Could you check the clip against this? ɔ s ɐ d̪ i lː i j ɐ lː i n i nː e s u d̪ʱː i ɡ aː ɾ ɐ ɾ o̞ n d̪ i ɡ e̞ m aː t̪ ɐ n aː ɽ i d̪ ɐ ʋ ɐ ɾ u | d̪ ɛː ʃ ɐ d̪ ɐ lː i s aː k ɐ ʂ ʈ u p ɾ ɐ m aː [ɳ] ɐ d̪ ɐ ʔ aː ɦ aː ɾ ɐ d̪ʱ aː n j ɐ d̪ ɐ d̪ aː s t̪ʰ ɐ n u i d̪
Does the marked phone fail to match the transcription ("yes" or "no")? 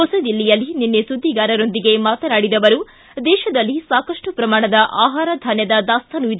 no